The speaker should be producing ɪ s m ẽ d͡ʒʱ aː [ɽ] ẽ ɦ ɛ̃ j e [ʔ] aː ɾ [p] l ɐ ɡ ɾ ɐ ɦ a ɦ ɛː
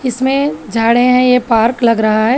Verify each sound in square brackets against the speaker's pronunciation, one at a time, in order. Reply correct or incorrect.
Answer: correct, incorrect: p, incorrect: k

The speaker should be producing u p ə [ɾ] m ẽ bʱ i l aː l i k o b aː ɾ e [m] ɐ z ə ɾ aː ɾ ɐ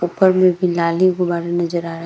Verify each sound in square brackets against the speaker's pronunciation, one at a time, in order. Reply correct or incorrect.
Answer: correct, incorrect: n

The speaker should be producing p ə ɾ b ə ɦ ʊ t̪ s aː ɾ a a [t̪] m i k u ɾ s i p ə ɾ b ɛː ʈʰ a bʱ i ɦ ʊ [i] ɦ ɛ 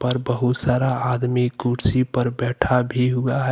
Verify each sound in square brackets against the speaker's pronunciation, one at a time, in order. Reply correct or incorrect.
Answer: incorrect: d̪, incorrect: a

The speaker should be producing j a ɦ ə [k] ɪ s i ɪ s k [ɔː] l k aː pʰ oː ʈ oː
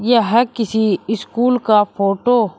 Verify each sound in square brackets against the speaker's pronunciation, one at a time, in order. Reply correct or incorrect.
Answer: correct, incorrect: uː

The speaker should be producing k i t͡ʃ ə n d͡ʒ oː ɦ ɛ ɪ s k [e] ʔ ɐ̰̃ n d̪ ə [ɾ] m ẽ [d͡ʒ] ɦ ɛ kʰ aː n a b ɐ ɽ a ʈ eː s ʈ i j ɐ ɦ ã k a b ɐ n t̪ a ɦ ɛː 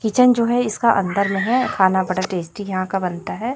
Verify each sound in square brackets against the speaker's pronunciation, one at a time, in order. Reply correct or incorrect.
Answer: incorrect: a, correct, incorrect: none

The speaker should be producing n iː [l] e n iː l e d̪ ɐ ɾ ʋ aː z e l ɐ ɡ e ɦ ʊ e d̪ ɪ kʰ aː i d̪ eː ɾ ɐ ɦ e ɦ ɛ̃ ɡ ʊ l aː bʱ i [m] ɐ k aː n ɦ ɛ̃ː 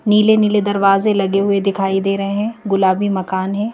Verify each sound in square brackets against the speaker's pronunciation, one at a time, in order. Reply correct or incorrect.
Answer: correct, correct

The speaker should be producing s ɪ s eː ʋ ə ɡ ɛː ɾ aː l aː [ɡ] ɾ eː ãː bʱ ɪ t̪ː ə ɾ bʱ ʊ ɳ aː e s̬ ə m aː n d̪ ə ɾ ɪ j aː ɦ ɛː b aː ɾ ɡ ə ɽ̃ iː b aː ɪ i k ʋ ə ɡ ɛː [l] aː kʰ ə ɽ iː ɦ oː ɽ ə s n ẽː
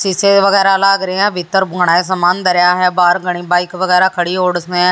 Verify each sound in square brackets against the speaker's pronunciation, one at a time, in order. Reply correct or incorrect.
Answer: correct, incorrect: ɾ

